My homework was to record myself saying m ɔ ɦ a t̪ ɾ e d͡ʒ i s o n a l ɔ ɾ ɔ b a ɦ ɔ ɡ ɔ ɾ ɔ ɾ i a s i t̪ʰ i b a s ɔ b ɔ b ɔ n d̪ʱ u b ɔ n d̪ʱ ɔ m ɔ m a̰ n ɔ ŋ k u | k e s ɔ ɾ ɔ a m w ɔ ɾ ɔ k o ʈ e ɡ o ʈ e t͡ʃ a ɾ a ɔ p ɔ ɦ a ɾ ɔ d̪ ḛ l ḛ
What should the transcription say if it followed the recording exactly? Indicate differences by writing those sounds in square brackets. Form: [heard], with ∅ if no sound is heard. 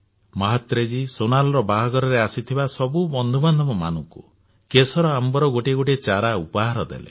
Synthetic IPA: m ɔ ɦ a t̪ ɾ e d͡ʒ i s o n a l ɔ ɾ ɔ b a ɦ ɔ ɡ ɔ ɾ ɔ ɾ [e] a s i t̪ʰ i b a s ɔ b [u] b ɔ n d̪ʱ u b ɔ n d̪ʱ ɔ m ɔ m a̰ n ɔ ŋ k u | k e s ɔ ɾ ɔ a m [b] ɔ ɾ ɔ [ɡ] o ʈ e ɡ o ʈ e t͡ʃ a ɾ a [u] p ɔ ɦ a ɾ ɔ d̪ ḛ l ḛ